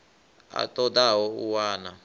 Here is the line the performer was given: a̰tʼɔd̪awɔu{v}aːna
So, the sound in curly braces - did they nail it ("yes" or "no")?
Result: no